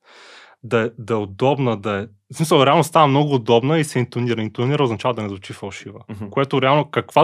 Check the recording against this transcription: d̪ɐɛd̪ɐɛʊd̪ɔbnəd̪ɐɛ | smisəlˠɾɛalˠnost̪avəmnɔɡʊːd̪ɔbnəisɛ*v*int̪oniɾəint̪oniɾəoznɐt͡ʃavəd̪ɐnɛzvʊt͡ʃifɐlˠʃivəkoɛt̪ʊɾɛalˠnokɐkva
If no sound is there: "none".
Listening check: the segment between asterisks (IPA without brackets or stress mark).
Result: none